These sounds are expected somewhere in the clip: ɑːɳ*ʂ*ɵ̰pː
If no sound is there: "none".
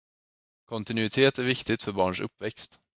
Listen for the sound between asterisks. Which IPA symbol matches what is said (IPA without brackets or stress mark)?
ʂ